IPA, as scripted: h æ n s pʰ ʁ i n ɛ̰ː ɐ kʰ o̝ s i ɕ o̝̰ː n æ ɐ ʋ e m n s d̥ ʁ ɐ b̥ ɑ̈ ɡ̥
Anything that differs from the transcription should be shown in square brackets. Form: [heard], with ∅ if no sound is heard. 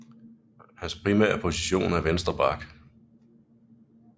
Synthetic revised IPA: h æ n s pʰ ʁ i [m] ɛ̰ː ɐ [pʰ] o̝ s i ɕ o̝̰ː n æ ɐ ʋ e [∅] n s d̥ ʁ ɐ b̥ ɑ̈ ɡ̥